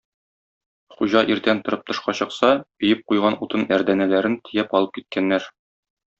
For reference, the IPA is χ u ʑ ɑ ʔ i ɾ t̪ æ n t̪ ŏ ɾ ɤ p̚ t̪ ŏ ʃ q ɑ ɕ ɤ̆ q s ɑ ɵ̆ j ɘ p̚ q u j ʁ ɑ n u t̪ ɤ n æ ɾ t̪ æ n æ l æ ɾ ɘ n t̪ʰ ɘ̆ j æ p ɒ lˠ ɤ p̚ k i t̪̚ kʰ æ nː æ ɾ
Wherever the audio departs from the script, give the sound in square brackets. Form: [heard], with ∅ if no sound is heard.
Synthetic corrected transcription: χ u ʑ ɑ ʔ i ɾ t̪ æ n t̪ ŏ ɾ ɤ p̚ t̪ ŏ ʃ q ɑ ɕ ɤ̆ q s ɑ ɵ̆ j ɘ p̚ q u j ʁ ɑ n u t̪ ɤ n æ ɾ [d̪] æ n æ l æ ɾ ɘ n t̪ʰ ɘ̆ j æ p ɒ lˠ ɤ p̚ k i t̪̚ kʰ æ nː æ ɾ